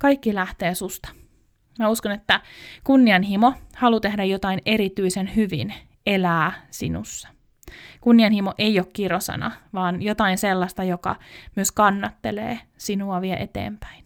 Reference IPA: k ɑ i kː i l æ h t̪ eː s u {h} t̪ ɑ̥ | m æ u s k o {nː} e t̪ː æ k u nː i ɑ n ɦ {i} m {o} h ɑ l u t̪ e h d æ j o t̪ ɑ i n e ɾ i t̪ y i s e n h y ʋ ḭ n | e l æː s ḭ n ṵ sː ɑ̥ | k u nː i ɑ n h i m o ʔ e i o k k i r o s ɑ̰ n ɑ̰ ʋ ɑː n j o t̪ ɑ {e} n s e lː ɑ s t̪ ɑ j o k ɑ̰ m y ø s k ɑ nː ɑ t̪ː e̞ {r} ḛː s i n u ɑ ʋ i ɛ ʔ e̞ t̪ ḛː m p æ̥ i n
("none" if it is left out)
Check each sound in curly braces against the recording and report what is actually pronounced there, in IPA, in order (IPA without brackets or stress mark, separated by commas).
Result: s, n, i, o, i, l